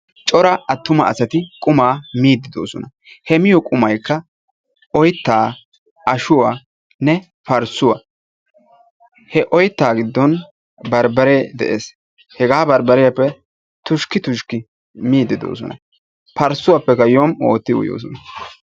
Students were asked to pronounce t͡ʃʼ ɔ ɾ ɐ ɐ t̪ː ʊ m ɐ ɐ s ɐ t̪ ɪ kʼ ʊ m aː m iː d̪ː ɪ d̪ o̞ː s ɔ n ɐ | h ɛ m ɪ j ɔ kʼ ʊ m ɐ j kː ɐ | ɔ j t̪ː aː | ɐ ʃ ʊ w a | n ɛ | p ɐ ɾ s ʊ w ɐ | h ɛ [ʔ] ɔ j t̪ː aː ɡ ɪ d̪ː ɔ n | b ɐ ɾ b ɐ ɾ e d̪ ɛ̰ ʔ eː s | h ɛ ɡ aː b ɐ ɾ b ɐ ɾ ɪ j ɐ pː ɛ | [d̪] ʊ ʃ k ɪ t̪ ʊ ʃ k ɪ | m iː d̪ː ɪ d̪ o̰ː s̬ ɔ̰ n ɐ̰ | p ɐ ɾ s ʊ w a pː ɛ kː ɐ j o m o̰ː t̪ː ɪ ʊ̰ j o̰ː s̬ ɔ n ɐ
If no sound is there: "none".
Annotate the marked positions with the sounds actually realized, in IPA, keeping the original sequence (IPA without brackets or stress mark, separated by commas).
ʔ, t̪